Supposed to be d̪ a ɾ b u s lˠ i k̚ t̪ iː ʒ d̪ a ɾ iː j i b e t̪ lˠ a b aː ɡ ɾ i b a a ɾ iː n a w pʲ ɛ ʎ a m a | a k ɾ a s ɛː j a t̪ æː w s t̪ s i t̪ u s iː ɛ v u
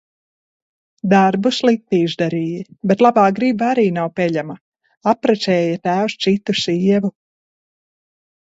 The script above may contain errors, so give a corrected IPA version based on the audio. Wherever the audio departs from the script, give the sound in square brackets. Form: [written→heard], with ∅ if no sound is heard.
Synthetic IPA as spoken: d̪ a ɾ b u s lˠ i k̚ t̪ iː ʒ d̪ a ɾ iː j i b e t̪ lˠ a b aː ɡ ɾ i b a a ɾ iː n a w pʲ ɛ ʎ a m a | a [k→p] ɾ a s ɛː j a t̪ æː w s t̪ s i t̪ u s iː ɛ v u